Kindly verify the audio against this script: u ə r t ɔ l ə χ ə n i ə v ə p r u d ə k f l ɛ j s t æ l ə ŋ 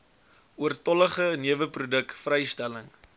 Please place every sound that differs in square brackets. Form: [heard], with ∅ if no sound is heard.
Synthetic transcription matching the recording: u ə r t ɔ l ə χ ə n i ə v ə p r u d ə k f [r] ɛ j s t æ l ə ŋ